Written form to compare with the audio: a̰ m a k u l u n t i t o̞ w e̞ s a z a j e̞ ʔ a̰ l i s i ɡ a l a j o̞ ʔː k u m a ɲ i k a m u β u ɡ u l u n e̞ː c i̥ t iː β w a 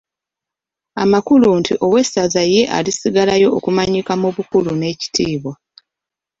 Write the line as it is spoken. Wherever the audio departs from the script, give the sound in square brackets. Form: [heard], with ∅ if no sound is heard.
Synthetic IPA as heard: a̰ m a k u l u n t i [ʔ] o̞ w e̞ s a z a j e̞ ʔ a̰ l i s i ɡ a l a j o̞ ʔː k u m a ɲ i k a m u β u [k] u l u n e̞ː c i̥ t iː β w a

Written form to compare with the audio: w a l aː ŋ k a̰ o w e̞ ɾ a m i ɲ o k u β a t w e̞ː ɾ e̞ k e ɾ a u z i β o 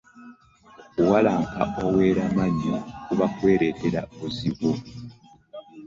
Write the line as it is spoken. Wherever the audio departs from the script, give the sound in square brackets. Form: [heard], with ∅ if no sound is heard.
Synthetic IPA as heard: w a l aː ŋ k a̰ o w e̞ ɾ a m [a] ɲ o k u β a [k] w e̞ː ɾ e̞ [t] e ɾ a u z i β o

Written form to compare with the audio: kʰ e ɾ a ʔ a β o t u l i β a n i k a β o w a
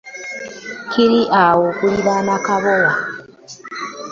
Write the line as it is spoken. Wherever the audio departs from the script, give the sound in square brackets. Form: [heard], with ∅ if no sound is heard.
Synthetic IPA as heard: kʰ [i] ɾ [i] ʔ a [w] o [k] u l i β a n [a] k a β o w a

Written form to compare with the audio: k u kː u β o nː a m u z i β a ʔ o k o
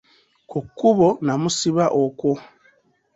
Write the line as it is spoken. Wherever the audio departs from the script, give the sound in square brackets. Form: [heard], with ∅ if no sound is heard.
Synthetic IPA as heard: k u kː u β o [n] a m u [s] i β a ʔ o k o

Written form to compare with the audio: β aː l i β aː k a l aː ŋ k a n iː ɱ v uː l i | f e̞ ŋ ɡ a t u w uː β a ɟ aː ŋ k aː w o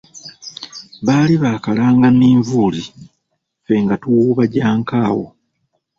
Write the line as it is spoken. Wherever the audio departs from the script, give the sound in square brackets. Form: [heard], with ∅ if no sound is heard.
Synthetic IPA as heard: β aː l i β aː k a l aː ŋ [ɡ] a n iː ɱ v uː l i | f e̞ ŋ ɡ a t u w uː β a ɟ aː ŋ k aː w o

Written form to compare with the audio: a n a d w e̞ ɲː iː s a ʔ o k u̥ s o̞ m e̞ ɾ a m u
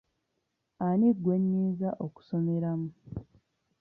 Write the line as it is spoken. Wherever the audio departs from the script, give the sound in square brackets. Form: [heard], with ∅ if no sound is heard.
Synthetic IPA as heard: a n [i] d w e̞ ɲː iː [z] a ʔ o k u̥ s o̞ m e̞ ɾ a m u

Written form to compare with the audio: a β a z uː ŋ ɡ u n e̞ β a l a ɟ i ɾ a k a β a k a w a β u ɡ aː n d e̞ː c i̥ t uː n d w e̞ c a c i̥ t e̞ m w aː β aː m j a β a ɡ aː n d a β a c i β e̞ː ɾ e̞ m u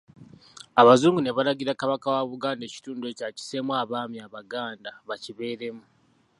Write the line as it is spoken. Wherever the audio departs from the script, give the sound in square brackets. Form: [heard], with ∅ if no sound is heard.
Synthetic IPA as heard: a β a z uː ŋ ɡ u n e̞ β a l a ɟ i ɾ a k a β a k a w a β u ɡ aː n d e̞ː c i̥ t uː n d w e̞ c a c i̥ [s] e̞ m w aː β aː m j a β a ɡ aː n d a β a c i β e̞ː ɾ e̞ m u

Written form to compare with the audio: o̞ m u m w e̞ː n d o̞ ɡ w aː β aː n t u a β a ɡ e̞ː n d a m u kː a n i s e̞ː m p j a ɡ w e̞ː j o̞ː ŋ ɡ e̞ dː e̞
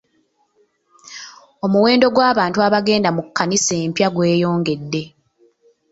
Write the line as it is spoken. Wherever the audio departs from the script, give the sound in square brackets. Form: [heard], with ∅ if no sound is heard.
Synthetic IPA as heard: o̞ m u [∅] w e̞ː n d o̞ ɡ w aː β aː n t u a β a ɡ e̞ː n d a m u kː a n i s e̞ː m p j a ɡ w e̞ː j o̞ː ŋ ɡ e̞ dː e̞

